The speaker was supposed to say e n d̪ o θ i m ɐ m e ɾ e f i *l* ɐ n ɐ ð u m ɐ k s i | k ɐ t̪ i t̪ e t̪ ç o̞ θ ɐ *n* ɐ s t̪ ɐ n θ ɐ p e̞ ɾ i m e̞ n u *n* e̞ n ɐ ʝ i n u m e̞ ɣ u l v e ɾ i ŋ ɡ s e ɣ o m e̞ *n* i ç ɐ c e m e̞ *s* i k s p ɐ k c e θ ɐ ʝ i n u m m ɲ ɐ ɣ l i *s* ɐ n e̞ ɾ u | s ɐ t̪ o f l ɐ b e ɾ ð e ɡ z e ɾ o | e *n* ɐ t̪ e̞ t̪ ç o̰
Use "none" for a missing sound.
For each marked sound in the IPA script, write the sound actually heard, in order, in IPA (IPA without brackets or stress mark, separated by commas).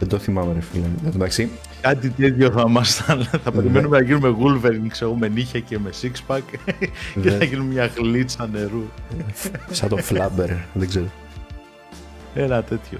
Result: l, m, m, n, s, t͡s, n